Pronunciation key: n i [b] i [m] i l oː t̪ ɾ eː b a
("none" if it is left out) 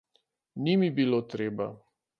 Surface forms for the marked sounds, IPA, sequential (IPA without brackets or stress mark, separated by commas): m, b